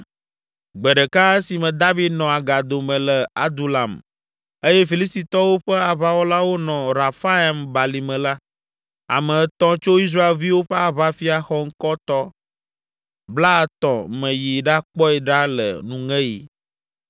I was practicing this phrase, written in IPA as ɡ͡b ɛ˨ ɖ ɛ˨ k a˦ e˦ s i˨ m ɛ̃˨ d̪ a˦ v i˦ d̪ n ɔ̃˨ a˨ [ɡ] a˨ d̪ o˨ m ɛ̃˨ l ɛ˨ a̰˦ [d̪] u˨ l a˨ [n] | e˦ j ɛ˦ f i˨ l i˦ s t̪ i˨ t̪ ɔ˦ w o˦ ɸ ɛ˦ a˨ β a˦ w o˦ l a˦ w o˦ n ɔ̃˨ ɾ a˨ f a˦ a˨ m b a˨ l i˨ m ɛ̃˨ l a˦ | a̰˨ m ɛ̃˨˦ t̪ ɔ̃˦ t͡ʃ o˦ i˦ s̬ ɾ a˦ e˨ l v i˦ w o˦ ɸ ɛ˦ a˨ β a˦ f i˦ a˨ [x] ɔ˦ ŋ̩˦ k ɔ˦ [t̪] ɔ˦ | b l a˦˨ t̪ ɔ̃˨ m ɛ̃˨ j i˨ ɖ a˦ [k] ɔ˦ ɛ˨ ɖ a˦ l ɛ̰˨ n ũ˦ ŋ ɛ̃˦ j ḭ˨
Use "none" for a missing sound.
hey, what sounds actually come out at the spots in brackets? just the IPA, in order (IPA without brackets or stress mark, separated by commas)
ɡ, d̪, m, x, t̪, k͡p